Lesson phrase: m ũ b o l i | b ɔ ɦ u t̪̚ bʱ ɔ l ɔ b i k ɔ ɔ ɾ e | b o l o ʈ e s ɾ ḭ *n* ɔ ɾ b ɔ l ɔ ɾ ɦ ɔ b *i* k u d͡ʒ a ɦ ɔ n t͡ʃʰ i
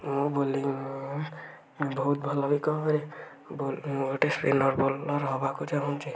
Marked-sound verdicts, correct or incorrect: correct, incorrect: a

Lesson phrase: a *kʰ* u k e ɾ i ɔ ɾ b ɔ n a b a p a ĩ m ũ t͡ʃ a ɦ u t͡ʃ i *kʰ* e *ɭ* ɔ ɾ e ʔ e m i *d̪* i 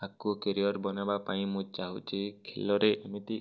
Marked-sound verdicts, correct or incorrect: incorrect: k, correct, incorrect: l, incorrect: t̪

